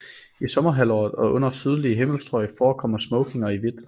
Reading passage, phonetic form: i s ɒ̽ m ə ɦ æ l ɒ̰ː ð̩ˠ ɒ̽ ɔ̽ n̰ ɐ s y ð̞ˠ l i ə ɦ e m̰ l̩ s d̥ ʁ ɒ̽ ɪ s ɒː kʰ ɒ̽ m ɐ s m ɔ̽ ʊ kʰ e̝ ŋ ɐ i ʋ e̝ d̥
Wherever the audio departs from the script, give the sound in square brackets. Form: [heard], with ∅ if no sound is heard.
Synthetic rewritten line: i s ɒ̽ m [ɐ] ɦ æ l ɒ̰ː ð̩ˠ ɒ̽ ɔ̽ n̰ ɐ s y ð̞ˠ l i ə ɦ e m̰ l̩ s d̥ ʁ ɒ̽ ɪ [f] ɒː kʰ ɒ̽ m ɐ s m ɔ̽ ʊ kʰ e̝ ŋ ɐ i ʋ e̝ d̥